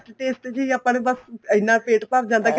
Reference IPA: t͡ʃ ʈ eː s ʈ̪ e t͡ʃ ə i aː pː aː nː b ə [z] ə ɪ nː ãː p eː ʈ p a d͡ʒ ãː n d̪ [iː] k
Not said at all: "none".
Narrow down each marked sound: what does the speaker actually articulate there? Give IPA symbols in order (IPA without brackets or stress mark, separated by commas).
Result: s, aː